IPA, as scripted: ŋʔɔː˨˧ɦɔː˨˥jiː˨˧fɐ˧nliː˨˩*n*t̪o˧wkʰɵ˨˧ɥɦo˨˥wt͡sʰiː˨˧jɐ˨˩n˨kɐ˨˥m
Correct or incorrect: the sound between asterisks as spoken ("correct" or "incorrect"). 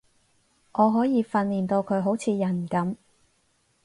correct